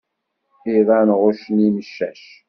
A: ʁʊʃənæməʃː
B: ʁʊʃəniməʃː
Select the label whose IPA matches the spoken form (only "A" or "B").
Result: B